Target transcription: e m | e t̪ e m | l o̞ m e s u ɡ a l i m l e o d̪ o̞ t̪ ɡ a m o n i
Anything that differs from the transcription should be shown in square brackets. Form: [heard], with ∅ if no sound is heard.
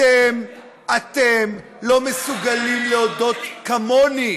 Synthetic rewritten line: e m | [a] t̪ e m | l o̞ m e s u ɡ a l i m l e o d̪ o̞ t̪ [k] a m o n i